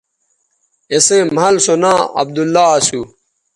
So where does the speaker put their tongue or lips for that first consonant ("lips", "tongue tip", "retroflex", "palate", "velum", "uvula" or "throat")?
tongue tip